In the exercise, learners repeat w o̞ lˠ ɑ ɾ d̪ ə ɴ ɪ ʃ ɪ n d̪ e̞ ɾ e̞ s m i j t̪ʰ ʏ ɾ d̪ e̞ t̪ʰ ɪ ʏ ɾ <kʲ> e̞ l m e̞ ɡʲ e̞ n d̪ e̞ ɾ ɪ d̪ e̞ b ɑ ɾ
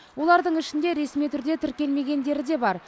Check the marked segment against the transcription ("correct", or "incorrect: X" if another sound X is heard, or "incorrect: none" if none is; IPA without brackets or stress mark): correct